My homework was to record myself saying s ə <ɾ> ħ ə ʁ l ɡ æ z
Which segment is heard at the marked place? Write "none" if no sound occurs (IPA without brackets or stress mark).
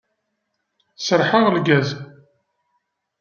ɾ